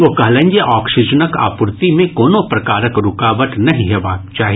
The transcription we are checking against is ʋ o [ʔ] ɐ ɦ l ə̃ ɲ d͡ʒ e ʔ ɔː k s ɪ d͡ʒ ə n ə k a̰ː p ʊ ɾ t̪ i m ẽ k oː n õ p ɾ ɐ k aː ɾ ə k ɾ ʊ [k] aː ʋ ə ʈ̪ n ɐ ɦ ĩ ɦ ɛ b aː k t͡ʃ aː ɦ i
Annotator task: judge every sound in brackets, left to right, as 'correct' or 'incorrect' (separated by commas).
incorrect, correct